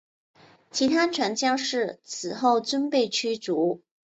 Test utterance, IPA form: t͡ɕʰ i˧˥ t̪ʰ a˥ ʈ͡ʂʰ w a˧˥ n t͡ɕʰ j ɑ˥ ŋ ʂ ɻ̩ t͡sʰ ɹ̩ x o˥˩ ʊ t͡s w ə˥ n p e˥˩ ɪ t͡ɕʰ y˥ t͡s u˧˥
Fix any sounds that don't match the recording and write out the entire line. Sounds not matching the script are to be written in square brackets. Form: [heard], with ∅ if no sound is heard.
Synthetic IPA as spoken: t͡ɕʰ i˧˥ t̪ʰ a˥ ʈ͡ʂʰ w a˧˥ n [t͡ɕ] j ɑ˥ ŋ ʂ ɻ̩ t͡sʰ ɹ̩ x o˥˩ ʊ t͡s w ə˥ n p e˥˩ ɪ t͡ɕʰ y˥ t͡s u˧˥